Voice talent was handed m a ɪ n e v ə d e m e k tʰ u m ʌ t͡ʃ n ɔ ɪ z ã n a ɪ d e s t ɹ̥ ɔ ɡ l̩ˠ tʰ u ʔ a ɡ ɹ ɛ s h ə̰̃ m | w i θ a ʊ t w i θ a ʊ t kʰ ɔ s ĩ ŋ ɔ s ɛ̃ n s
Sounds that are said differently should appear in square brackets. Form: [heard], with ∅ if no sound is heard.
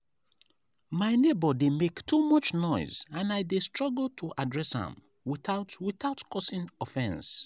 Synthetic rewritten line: m a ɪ n e [b] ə d e m e k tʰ u m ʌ t͡ʃ n ɔ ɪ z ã n a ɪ d e s t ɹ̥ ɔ ɡ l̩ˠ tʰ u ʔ a [d] ɹ ɛ s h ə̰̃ m | w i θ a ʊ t w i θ a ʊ t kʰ ɔ s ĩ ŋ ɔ [f] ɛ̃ n s